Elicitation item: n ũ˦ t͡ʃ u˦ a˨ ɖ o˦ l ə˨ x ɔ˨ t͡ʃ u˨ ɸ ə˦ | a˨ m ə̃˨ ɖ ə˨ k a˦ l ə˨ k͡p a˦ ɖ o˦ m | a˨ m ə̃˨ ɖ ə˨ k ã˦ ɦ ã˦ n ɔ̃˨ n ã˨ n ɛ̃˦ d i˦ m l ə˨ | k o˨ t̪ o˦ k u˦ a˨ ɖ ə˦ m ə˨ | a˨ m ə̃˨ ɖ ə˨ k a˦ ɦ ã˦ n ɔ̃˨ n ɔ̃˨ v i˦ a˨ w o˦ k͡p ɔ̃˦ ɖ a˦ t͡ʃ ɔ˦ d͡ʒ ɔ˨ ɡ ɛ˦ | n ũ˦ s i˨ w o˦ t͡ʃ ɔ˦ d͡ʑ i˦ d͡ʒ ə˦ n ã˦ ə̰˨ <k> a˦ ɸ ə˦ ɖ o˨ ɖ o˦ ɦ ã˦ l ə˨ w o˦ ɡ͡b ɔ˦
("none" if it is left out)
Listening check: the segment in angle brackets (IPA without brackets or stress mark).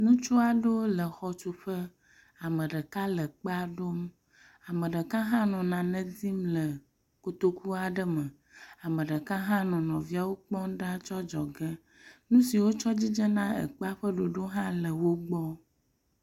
k͡p